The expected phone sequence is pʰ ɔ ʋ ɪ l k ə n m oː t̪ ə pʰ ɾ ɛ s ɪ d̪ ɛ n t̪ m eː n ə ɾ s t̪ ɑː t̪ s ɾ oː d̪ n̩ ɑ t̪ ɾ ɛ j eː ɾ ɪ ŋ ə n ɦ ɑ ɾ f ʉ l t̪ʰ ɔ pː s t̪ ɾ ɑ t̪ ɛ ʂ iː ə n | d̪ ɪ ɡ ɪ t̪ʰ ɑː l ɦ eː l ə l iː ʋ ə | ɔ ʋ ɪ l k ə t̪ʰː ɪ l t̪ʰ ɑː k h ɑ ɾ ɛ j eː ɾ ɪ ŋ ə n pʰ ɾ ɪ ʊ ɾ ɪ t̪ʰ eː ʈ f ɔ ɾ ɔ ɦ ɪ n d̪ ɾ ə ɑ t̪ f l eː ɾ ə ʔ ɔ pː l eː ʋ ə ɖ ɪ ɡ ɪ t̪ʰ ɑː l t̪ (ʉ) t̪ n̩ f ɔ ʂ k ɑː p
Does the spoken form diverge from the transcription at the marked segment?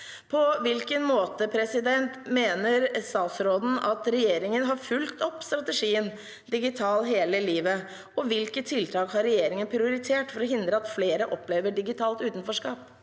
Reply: yes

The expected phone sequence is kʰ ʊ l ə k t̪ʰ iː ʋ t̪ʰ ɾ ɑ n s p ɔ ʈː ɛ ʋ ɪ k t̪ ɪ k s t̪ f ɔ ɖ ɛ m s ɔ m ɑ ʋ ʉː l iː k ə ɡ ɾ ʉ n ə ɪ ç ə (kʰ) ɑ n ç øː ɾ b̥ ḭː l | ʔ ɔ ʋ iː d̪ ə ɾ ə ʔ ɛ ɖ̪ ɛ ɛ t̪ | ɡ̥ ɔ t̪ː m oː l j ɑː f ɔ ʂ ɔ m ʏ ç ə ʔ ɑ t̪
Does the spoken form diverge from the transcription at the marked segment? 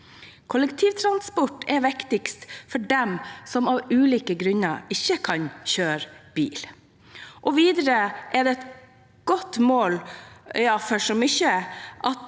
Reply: no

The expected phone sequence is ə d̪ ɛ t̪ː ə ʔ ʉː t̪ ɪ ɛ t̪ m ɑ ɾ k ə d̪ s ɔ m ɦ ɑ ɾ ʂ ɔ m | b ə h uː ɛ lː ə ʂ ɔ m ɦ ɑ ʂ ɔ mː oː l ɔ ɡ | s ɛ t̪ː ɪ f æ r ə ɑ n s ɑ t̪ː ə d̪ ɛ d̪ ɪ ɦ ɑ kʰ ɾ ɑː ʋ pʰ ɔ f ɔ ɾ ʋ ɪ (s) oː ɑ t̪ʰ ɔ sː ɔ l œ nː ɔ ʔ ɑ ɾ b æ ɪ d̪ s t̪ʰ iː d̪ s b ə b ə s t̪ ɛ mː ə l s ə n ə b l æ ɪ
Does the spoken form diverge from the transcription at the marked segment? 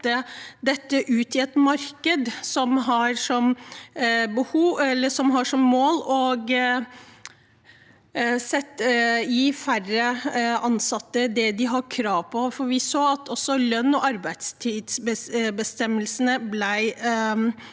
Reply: no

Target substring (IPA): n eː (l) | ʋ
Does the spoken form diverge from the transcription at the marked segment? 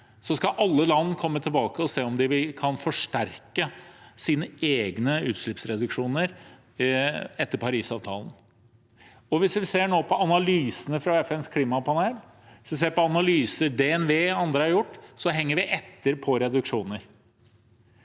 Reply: no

